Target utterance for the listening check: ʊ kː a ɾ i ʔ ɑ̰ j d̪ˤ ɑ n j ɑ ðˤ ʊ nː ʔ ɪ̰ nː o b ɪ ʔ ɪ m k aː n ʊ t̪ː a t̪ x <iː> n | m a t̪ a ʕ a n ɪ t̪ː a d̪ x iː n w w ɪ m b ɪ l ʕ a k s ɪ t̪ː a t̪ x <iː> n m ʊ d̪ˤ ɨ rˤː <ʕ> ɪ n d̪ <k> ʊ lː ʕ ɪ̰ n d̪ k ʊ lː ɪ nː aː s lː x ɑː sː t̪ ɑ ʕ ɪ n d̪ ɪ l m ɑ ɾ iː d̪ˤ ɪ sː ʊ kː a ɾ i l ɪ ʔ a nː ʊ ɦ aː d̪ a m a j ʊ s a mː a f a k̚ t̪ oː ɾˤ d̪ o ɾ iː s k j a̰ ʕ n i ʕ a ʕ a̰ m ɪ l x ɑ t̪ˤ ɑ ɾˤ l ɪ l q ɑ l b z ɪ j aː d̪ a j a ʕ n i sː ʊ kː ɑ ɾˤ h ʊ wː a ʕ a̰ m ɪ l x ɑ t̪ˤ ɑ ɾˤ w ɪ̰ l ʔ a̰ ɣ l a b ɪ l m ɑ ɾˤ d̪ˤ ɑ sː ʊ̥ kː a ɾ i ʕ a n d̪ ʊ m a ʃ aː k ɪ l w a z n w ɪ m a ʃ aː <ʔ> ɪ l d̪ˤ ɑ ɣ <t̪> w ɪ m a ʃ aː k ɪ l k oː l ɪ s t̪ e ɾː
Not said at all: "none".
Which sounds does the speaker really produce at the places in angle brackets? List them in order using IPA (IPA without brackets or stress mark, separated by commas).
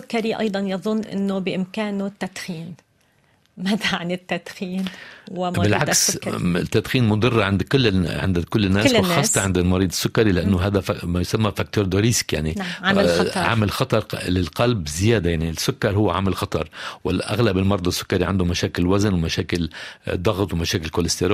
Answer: iː, iː, ʕ, k, k, t̪